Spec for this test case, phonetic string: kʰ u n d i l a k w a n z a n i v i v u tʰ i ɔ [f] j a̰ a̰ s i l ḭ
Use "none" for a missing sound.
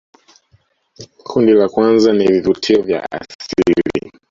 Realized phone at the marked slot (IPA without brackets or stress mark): v